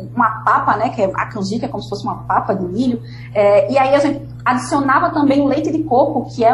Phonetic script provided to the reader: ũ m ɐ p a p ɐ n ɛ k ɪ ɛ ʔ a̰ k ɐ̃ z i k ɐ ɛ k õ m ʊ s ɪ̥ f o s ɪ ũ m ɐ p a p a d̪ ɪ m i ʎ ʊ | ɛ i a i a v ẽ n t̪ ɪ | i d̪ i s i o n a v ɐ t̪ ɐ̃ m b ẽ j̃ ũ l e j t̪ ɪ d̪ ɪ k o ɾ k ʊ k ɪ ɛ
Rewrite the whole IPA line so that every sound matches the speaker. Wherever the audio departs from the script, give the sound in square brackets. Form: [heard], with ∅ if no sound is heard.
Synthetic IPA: ũ m ɐ p a p ɐ n ɛ k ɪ ɛ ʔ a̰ k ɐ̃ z i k ɐ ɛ k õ m ʊ s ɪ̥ f o s ɪ ũ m ɐ p a p [ɐ] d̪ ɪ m i ʎ ʊ | ɛ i a i a [ʒ] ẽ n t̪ ɪ | [a] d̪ i s i o n a v ɐ t̪ ɐ̃ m b ẽ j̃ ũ l e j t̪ ɪ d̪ ɪ k o ɾ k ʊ k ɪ ɛ